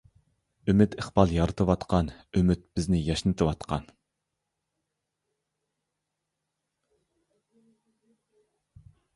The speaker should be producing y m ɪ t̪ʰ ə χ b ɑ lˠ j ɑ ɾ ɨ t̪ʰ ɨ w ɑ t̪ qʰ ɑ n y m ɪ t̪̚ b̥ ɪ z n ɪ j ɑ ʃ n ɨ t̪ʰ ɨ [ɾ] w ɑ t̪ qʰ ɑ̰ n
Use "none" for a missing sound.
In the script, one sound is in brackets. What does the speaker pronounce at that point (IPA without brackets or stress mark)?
none